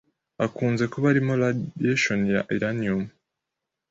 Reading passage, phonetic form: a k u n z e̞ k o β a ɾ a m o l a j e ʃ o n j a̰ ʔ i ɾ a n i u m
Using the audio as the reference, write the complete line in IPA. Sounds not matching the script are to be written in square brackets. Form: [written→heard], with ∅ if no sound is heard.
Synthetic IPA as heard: a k [u→uː] n z e̞ k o β a ɾ [a→i] m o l a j e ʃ o n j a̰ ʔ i ɾ a n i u m